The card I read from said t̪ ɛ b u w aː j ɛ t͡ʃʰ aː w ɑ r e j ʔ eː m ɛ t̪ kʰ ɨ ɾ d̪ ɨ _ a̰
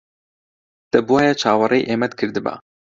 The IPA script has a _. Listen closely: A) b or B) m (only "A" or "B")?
A